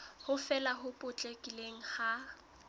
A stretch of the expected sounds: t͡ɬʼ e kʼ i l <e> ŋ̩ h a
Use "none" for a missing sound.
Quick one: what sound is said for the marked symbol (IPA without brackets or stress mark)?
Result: e